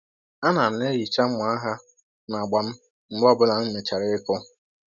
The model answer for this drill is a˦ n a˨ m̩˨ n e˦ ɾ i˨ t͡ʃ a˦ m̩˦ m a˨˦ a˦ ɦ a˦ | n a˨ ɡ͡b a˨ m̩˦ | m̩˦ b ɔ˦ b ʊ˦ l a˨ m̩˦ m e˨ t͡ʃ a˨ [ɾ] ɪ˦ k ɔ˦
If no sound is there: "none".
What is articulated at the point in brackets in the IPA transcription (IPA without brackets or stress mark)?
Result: ɾ